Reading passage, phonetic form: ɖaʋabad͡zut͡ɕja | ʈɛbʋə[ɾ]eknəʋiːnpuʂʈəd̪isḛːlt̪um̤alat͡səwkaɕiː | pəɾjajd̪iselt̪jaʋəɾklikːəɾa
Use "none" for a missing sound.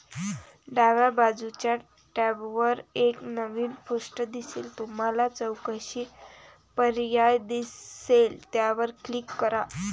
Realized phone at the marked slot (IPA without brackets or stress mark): ɾ